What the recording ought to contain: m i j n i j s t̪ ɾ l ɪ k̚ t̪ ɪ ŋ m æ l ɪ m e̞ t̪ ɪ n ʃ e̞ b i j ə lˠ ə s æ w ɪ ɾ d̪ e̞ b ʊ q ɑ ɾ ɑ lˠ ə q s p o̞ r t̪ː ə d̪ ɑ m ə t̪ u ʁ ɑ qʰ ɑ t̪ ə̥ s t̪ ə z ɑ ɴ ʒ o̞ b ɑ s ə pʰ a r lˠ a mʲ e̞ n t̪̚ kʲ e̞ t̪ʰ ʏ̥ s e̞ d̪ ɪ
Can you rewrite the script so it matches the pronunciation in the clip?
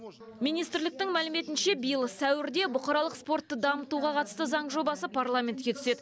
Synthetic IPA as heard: m i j n i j s t̪ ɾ l ɪ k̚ t̪ ɪ ŋ m æ l ɪ m e̞ t̪ ɪ n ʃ e̞ b i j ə lˠ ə s æ w ɪ ɾ d̪ e̞ b ʊ q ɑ ɾ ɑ lˠ ə q s p o̞ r t̪ː ə d̪ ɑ m ə t̪ u ʁ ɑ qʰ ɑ t̪ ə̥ s t̪ ə z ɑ ɴ ʒ o̞ b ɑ s ə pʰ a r lˠ a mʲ e̞ n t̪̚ kʲ e̞ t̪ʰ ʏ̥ s e̞ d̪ ɪ

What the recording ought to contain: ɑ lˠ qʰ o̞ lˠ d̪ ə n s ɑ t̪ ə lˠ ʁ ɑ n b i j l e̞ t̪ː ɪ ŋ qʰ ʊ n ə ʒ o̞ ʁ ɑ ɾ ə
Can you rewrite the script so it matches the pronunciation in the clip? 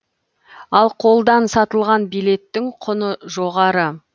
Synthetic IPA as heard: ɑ lˠ qʰ o̞ lˠ d̪ ɑ n s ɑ t̪ ə lˠ ʁ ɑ n b i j l e̞ t̪ː ɪ ŋ qʰ ʊ n ə ʒ o̞ ʁ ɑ ɾ ə

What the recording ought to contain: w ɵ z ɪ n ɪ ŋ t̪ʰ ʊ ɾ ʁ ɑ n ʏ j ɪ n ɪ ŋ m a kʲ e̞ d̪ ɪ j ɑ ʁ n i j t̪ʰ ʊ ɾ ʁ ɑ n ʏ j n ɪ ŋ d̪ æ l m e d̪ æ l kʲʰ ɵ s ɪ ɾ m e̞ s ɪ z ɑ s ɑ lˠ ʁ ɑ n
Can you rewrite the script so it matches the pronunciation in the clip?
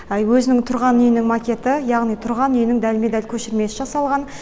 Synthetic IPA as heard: w ɵ z ɪ n ɪ ŋ t̪ʰ ʊ ɾ ʁ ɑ n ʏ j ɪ n ɪ ŋ m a kʲ e̞ t̪ ɪ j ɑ ʁ n i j t̪ʰ ʊ ɾ ʁ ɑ n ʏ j n ɪ ŋ d̪ æ l m e d̪ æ l kʲʰ ɵ ʃ ɪ ɾ m e̞ s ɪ ʒ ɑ s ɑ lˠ ʁ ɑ n

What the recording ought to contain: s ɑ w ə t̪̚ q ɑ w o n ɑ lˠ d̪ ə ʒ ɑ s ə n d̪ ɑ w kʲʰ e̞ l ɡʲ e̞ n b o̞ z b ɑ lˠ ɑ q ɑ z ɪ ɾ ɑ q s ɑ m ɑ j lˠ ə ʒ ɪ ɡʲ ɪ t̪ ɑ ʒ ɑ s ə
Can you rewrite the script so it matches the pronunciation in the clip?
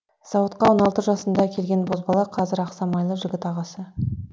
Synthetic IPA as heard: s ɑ w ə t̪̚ q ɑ w o n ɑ lˠ t̪ ə ʒ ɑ s ə n d̪ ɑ kʲʰ e̞ l ɡʲ e̞ n b o̞ z b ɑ lˠ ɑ qʰ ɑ z ɪ ɾ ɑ q s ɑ m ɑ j lˠ ə ʒ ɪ ɡʲ ɪ t̪ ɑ ʁ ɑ s ə

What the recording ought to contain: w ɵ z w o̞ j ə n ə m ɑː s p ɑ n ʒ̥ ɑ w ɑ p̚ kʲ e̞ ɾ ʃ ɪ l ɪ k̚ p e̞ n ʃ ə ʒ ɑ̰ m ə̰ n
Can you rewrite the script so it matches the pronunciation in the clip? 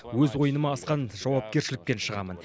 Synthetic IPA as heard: w ɵ z w o̞ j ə n ə m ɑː s q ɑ n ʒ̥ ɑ w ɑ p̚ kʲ e̞ ɾ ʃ ɪ l ɪ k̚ p e̞ n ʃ ə ʁ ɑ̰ m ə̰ n

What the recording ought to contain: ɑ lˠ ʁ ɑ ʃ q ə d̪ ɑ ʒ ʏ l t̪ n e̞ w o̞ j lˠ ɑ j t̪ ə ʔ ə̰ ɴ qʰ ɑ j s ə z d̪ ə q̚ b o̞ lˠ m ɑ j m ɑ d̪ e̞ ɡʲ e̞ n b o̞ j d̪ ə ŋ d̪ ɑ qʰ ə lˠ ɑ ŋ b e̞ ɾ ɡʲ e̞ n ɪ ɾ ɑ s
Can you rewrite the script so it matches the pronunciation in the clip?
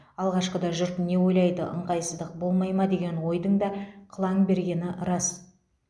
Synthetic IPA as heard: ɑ lˠ ʁ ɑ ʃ q ə d̪ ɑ ʒ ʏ ɾ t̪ n e̞ w o̞ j lˠ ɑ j d̪ ə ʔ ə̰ ɴ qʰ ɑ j s ə z d̪ ə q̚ b o̞ lˠ m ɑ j m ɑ d̪ e̞ ɡʲ e̞ n w o̞ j d̪ ə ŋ d̪ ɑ qʰ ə lˠ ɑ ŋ b e̞ ɾ ɡʲ e̞ n ɪ ɾ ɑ s

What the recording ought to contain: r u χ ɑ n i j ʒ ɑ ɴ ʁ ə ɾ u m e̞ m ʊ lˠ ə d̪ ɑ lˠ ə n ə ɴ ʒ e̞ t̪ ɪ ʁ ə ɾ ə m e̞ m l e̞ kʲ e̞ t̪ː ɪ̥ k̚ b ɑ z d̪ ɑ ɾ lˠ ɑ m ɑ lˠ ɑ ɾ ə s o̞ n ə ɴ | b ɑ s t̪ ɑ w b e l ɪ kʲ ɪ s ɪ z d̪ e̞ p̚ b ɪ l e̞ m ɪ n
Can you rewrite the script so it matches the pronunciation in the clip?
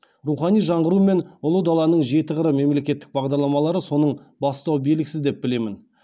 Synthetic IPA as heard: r u χ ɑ n i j ʒ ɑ ɴ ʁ ə ɾ u m e̞ n ʊ lˠ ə d̪ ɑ lˠ ɑ n ə ɴ ʒ e̞ t̪ ɪ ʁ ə ɾ ə m e̞ m l e̞ kʲ e̞ t̪ː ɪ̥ k̚ b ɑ ʁ d̪ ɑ ɾ lˠ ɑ m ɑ lˠ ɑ ɾ ə s o̞ n ə ɴ | b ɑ s t̪ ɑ w b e l ɪ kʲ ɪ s ɪ z d̪ e̞ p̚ b ɪ l e̞ m ɪ n

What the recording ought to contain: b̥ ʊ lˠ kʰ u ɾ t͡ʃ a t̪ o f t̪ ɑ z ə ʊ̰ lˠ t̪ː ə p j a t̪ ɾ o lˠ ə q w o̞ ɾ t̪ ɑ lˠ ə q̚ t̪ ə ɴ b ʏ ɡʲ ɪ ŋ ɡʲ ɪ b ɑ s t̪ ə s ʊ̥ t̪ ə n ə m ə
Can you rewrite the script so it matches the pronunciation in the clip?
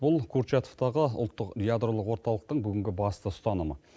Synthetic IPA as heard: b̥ ʊ lˠ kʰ u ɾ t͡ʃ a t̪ o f t̪ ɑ ʁ ə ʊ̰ lˠ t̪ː ə q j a d̪ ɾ o lˠ ə q w o̞ ɾ t̪ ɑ lˠ ə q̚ t̪ ə ɴ b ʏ ɡʲ ɪ ŋ ɡʲ ɪ b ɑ s t̪ ə s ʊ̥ t̪ ɑ n ə m ə

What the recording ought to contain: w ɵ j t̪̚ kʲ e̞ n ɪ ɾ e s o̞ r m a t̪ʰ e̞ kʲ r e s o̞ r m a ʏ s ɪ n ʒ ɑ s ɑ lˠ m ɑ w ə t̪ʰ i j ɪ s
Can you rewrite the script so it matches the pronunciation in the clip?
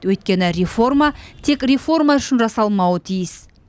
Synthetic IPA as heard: w ɵ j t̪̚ kʲ e̞ n ɪ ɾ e f o̞ r m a t̪ʰ e̞ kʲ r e f o̞ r m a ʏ ʃ ɪ n ʒ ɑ s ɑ lˠ m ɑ w ə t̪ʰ i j ɪ s

